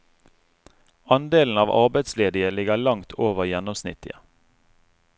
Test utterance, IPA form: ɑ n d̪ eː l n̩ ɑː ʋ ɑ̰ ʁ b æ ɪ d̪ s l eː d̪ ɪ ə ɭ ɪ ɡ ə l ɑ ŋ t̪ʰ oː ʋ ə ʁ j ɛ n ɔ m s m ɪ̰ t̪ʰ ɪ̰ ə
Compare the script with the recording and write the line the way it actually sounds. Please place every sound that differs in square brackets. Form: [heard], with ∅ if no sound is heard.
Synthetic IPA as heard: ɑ n d̪ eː l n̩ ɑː ʋ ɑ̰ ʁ b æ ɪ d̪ s l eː d̪ ɪ ə [l] ɪ ɡ ə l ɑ ŋ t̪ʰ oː ʋ ə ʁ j ɛ n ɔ m s [n] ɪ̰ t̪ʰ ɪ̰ ə